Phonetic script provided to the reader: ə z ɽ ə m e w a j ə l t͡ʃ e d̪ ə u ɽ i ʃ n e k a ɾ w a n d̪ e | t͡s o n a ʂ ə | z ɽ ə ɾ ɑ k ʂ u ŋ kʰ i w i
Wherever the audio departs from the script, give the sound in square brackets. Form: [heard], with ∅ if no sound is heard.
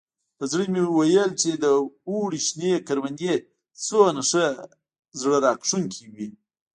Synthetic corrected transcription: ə z ɽ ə m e w a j ə l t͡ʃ e d̪ ə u ɽ i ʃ n e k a ɾ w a n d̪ e | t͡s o n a ʂ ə | z ɽ ə ɾ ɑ k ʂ u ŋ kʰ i w i